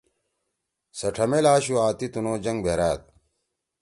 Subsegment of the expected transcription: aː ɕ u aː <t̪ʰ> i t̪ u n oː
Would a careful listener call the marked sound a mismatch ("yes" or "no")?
yes